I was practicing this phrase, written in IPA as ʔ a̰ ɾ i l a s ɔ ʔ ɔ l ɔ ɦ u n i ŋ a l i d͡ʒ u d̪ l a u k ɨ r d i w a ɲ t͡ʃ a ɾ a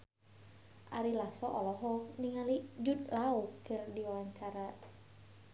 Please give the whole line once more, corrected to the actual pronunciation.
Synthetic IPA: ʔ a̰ ɾ i l a s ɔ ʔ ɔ l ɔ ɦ ɔ n i ŋ a l i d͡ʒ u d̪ l a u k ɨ r d i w a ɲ t͡ʃ a ɾ a